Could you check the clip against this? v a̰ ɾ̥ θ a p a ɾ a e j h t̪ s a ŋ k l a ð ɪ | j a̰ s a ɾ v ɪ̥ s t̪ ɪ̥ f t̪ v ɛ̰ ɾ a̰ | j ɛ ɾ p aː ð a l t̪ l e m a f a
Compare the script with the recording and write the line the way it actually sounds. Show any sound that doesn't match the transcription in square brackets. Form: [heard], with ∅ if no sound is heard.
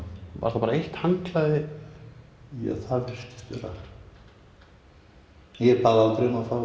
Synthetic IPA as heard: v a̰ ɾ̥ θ a p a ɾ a e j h t̪ [h] a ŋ k l a ð ɪ | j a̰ [θ] a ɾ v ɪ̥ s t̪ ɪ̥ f t̪ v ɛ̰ ɾ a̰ | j ɛ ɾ p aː ð a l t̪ [ɾ] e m a f a

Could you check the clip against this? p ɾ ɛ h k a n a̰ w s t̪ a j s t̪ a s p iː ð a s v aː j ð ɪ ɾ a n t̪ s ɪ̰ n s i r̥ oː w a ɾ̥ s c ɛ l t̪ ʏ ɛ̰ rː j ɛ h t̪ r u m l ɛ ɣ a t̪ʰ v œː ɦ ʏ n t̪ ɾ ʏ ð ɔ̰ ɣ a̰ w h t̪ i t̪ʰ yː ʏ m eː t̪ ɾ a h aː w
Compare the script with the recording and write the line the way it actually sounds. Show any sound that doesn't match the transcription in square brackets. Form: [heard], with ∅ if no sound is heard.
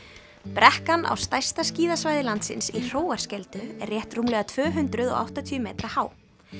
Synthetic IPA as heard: p ɾ ɛ h k a n a̰ w s t̪ a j s t̪ a s [c] iː ð a s v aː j ð ɪ [l] a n t̪ s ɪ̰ n s i r̥ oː w a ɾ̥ s c ɛ l t̪ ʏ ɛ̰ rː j ɛ h t̪ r u m l ɛ ɣ a t̪ʰ v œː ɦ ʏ n t̪ ɾ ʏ ð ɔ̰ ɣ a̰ w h t̪ [a] t̪ʰ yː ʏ m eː t̪ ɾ a h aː w

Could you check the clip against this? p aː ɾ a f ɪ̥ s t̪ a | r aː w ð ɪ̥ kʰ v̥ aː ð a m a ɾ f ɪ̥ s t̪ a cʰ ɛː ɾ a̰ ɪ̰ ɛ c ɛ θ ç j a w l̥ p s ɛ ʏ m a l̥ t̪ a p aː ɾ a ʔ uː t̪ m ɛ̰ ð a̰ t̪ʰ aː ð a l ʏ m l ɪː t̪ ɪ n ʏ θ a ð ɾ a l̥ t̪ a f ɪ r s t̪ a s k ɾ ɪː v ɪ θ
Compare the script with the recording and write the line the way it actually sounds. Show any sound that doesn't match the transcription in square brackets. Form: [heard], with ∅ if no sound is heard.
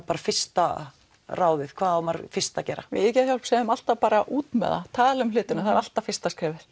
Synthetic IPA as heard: p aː ɾ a f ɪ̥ s t̪ a | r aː w ð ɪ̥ kʰ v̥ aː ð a m a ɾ f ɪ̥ s t̪ a [c] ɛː ɾ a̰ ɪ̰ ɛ c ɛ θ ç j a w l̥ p s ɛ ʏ m a l̥ t̪ a p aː ɾ a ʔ uː t̪ m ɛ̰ ð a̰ t̪ʰ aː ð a l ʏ m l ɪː t̪ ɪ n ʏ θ a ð ɾ a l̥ t̪ a f ɪ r s t̪ a s k ɾ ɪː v ɪ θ

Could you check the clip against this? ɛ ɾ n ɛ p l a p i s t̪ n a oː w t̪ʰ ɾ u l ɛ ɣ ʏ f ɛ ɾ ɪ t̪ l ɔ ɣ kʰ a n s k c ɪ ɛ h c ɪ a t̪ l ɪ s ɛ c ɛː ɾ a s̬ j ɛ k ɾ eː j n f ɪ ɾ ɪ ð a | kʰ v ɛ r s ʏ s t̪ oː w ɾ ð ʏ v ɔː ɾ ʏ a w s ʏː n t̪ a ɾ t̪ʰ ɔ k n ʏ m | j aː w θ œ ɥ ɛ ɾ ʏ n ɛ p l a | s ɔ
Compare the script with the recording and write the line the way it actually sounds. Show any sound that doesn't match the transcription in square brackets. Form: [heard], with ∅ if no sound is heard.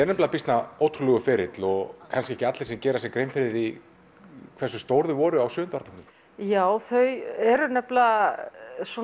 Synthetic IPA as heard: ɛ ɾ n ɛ p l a p i s t̪ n a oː w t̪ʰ ɾ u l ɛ ɣ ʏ f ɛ ɾ ɪ t̪ l ɔ ɣ kʰ a n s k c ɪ ɛ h c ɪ a t̪ l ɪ s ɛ c ɛː ɾ a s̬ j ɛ k ɾ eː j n f ɪ ɾ ɪ ð [i] | kʰ v ɛ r s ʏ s t̪ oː w ɾ ð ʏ v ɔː ɾ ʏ a w s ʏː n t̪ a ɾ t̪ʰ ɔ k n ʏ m | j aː w θ œ ɥ ɛ ɾ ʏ n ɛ p l a | s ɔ

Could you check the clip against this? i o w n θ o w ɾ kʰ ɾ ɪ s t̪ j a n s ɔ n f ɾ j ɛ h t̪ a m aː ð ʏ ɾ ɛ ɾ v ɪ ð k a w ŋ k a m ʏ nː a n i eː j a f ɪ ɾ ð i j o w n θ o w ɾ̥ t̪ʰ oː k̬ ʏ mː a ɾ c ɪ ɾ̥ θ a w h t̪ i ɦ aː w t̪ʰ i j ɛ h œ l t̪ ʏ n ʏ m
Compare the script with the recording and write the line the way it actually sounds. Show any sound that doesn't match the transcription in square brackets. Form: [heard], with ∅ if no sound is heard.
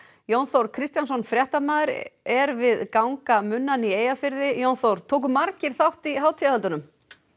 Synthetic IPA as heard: [j] o w n θ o w ɾ kʰ ɾ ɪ s t̪ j a n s ɔ n f ɾ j ɛ h t̪ a m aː ð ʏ ɾ ɛ ɾ v ɪ ð k a w ŋ k a m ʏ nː a n i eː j a f ɪ ɾ ð [ɪ] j o w n θ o w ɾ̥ t̪ʰ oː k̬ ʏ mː a ɾ c ɪ ɾ̥ θ a w h t̪ i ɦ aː w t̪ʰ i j [a] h œ l t̪ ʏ n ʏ m

